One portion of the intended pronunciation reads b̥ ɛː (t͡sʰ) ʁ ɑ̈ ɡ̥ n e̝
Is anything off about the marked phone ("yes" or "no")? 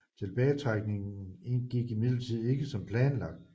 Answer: no